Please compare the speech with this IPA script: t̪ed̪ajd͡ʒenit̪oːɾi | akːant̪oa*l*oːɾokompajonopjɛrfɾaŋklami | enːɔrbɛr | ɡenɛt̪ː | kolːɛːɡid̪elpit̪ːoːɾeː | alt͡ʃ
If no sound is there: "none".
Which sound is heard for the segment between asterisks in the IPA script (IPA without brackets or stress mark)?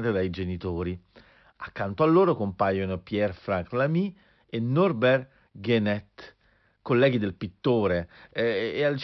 lː